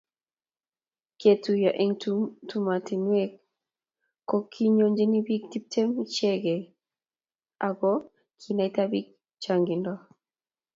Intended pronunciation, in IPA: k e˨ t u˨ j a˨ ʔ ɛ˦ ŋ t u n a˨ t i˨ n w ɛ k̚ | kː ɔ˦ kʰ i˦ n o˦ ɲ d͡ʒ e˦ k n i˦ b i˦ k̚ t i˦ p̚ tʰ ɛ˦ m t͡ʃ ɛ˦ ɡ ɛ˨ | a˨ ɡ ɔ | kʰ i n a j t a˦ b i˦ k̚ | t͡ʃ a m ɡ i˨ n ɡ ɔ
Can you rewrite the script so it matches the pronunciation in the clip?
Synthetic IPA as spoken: k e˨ t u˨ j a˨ ʔ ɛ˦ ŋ t u m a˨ t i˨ n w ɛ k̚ | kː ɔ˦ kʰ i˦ ɲ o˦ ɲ d͡ʒ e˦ n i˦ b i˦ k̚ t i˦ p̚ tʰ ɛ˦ m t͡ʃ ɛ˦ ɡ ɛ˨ | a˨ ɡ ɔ | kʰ i n a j t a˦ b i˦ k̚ | t͡ʃ a ŋ ɡ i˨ n d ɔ